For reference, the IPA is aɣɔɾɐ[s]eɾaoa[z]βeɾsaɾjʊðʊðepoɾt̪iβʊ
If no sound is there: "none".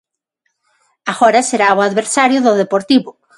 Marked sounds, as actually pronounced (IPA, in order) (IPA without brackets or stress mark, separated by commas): s, ð